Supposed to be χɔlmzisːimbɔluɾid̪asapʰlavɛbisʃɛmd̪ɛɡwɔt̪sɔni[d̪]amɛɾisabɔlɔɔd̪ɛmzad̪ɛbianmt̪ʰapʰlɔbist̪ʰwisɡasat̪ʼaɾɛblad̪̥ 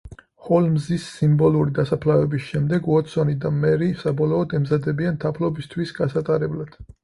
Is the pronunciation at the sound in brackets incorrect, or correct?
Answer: correct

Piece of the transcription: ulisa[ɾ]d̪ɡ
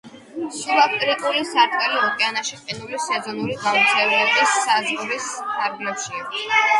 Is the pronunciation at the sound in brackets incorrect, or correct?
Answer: correct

